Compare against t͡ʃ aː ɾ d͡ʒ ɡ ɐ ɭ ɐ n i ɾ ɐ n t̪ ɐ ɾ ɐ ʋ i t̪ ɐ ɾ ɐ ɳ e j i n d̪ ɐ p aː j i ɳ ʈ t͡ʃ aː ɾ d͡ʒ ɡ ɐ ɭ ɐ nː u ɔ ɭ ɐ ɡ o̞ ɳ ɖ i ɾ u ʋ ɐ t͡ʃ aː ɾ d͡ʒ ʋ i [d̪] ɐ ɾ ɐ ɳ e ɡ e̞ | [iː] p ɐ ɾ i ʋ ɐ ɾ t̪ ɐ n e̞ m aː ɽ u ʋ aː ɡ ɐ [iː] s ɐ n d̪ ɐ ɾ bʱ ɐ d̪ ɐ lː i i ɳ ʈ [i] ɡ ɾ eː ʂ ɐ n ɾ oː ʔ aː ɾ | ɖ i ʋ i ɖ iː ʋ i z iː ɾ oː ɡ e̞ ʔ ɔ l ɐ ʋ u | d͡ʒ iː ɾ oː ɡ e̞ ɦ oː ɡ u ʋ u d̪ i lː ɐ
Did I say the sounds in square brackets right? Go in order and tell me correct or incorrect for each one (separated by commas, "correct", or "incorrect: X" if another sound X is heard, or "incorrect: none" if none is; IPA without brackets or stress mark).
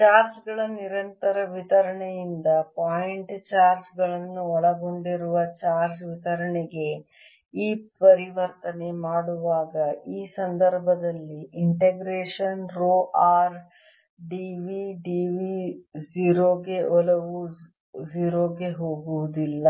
incorrect: t̪, correct, correct, incorrect: e